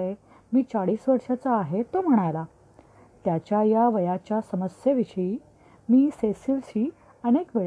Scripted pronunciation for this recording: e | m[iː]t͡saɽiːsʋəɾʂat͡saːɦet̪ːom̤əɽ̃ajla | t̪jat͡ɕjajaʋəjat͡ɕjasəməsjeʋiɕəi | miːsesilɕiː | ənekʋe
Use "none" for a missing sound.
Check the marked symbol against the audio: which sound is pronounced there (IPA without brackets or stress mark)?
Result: iː